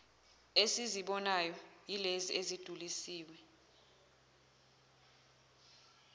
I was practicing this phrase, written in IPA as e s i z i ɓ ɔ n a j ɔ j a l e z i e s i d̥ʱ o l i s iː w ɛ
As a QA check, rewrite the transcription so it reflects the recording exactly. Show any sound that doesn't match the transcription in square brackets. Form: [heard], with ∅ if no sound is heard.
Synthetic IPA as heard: e s i z i ɓ ɔ n a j ɔ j [i] l e z i e [z] i d̥ʱ [u] l i s iː w ɛ